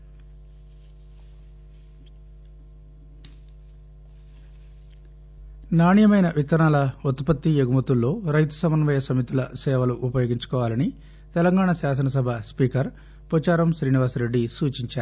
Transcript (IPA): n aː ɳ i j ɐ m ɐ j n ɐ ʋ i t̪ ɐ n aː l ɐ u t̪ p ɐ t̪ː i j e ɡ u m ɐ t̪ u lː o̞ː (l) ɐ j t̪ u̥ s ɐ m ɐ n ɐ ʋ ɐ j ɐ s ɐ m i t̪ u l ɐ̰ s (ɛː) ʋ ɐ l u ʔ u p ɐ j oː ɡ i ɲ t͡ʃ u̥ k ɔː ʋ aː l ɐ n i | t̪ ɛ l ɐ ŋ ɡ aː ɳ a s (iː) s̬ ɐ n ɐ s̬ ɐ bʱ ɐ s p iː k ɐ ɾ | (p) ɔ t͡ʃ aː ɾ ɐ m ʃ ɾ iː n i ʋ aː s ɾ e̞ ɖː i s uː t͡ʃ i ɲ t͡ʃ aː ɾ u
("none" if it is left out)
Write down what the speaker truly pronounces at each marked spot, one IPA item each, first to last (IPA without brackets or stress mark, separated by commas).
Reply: ɾ, ɛː, aː, p